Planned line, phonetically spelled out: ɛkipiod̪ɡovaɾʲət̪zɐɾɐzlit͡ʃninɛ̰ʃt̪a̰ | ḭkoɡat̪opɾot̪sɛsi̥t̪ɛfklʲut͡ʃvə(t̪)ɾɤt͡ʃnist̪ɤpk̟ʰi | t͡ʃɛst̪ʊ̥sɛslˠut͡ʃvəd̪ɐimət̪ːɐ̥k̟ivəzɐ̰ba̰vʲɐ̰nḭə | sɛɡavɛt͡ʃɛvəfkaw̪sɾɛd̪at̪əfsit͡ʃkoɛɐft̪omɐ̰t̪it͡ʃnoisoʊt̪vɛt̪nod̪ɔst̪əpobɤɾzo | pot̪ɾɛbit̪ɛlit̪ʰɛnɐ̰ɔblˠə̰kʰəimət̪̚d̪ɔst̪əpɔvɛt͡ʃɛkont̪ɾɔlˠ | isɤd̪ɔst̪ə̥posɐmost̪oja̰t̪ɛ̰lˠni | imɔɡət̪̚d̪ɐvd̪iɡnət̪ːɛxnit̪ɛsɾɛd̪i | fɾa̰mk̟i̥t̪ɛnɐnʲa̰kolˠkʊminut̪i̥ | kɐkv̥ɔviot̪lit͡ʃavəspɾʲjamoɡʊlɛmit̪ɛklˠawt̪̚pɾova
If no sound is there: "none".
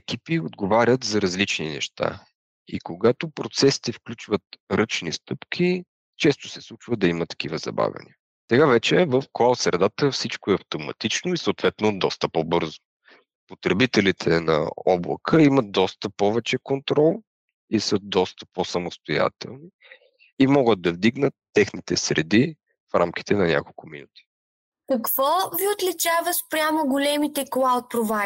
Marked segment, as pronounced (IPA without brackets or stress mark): t̪